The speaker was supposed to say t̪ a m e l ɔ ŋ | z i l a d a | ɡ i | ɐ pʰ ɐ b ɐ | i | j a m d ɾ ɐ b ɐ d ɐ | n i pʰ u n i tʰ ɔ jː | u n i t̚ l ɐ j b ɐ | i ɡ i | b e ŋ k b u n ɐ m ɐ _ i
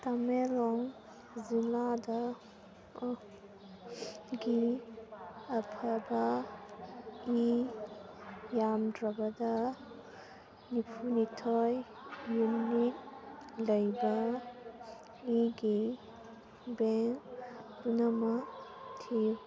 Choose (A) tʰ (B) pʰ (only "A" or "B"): A